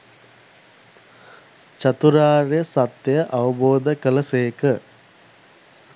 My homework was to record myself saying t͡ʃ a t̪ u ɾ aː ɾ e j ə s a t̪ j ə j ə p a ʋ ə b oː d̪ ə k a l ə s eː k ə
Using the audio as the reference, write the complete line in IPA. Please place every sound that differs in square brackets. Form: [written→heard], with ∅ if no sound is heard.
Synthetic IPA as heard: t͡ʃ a t̪ u ɾ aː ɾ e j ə s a t̪ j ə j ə [p→ʔ] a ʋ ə b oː d̪ ə k [a→ə] l ə s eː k ə